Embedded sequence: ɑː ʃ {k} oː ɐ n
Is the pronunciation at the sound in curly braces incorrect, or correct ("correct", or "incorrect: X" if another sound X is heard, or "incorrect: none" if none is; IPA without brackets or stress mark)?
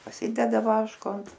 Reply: correct